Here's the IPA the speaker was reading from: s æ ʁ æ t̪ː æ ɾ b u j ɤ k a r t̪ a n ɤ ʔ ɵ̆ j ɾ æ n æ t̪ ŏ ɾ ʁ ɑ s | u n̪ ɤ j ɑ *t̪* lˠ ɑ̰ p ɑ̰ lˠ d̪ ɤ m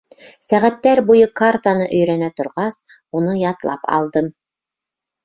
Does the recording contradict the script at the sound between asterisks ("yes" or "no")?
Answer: no